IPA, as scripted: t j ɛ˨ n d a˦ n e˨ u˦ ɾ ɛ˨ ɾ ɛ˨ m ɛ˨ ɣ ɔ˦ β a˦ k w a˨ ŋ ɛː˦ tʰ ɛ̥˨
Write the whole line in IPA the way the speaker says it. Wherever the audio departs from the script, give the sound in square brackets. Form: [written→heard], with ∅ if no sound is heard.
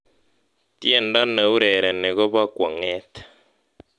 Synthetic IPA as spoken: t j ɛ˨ n d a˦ n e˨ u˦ ɾ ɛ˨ ɾ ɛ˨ [m→n] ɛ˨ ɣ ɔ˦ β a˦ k w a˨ ŋ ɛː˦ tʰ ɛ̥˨